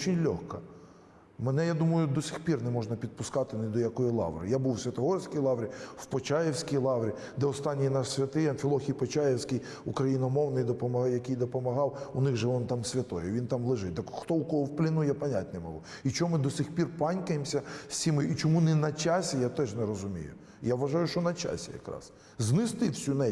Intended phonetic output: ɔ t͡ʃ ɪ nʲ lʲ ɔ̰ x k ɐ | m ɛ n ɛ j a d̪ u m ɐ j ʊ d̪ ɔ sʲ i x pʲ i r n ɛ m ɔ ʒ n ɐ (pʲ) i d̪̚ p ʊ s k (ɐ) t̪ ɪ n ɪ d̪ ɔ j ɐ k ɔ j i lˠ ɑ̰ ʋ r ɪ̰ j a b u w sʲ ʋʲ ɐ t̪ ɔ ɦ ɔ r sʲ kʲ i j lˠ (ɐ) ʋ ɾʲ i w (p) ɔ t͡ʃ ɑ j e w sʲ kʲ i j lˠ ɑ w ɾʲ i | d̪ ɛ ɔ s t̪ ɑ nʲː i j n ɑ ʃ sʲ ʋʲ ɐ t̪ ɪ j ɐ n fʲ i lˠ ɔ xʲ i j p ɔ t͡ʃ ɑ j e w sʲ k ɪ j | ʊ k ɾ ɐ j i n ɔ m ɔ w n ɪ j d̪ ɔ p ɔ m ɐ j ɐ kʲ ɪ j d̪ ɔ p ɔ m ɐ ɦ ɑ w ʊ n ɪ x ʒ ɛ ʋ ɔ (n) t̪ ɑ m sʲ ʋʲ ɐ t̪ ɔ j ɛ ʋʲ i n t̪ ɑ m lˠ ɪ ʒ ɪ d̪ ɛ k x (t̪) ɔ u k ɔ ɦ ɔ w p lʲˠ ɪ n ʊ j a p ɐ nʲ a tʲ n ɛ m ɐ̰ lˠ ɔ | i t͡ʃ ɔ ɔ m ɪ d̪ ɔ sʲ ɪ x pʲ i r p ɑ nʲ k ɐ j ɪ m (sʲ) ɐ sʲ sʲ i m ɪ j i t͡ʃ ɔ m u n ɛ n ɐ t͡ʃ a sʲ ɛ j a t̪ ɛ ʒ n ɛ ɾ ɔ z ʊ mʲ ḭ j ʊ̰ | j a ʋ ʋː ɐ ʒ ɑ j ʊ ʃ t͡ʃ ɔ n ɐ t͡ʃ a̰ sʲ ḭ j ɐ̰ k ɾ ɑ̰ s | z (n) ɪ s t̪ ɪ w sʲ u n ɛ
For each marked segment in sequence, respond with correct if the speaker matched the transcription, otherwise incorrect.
correct, incorrect: ɑ, incorrect: ɑ, correct, correct, correct, correct, correct

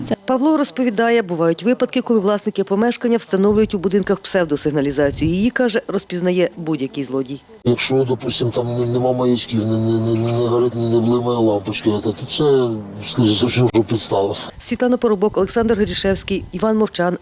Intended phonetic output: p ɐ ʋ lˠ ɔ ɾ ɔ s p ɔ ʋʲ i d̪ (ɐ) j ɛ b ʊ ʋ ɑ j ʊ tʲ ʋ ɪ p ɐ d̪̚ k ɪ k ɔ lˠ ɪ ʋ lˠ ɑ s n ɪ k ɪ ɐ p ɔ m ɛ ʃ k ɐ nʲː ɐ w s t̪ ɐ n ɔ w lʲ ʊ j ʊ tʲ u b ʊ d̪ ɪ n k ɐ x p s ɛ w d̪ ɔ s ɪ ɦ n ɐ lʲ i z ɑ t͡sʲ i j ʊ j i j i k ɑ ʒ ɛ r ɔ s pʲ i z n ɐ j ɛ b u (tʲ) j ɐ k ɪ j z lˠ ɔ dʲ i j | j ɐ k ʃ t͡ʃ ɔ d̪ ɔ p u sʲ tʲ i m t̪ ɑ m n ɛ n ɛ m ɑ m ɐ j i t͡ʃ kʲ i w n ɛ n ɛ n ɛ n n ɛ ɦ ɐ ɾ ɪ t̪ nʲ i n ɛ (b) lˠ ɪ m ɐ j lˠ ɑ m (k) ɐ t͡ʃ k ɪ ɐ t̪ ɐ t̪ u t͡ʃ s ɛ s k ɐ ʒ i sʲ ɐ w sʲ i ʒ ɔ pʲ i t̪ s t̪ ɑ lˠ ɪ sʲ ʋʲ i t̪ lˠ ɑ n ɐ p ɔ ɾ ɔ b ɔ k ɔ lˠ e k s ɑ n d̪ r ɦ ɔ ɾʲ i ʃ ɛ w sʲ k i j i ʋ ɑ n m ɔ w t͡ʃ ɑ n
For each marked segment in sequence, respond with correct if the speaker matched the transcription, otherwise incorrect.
incorrect: ɑ, incorrect: dʲ, correct, incorrect: p

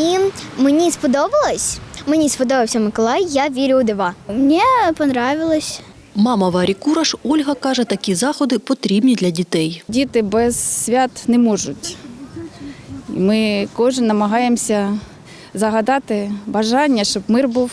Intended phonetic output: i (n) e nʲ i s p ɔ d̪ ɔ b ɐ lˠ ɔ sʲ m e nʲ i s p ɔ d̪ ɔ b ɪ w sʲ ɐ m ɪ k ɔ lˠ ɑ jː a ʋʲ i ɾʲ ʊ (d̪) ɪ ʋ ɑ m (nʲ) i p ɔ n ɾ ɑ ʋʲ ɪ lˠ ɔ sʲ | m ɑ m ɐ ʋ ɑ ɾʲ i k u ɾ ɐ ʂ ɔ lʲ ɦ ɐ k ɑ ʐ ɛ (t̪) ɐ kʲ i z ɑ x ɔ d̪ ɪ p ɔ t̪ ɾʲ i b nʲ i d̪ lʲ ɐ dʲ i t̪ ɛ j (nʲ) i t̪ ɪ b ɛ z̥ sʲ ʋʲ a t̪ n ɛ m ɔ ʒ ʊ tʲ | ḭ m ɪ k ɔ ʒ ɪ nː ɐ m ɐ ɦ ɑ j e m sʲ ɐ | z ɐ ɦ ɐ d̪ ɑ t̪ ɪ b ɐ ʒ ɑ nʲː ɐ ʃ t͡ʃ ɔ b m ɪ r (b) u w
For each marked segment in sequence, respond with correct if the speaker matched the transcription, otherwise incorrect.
incorrect: m, correct, correct, correct, incorrect: dʲ, correct

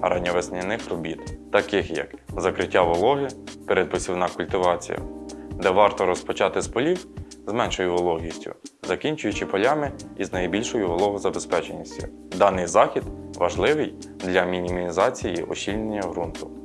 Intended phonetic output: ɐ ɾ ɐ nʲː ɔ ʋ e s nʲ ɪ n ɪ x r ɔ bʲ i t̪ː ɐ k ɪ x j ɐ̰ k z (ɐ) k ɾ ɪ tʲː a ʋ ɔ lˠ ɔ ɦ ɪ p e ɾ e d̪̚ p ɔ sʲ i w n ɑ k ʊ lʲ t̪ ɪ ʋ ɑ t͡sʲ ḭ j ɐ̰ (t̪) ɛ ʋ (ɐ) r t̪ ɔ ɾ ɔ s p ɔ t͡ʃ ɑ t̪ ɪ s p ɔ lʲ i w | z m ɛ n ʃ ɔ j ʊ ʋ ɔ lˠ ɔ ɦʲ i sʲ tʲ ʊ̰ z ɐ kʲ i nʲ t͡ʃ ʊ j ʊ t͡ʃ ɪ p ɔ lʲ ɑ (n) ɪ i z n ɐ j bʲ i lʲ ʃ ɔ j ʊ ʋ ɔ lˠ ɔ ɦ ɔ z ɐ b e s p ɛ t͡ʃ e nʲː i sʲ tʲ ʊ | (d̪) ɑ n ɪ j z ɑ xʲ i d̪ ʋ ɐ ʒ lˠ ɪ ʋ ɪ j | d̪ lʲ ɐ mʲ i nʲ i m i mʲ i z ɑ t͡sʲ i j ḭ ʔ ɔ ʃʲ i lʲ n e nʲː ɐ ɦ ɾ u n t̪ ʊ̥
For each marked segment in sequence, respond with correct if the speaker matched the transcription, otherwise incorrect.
correct, incorrect: d̪, incorrect: ɑ, incorrect: m, correct

